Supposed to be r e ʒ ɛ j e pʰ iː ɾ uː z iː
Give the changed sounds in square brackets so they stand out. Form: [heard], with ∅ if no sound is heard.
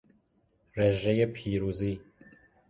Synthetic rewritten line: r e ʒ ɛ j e pʰ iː ɾ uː z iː